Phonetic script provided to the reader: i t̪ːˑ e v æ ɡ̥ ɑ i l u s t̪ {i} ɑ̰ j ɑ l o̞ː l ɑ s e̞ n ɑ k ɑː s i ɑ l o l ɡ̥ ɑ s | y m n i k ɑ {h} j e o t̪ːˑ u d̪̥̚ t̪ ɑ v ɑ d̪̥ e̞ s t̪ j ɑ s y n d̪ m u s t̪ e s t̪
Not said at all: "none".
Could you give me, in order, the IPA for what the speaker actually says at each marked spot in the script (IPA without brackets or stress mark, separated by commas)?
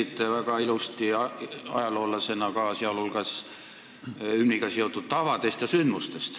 i, s